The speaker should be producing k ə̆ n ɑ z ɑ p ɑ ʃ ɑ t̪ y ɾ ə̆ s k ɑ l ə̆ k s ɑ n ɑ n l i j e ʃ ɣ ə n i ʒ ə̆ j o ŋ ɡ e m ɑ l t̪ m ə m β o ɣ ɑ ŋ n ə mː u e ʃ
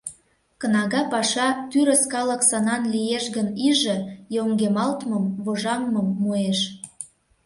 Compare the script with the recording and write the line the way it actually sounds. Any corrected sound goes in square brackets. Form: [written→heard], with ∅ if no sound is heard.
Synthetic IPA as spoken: k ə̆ n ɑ [z→ɣ] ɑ p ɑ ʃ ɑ t̪ y ɾ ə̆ s k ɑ l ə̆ k s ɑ n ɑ n l i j e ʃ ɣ ə n i ʒ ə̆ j o ŋ ɡ e m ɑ l t̪ m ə m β o [ɣ→ʒ] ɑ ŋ [n→m] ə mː u e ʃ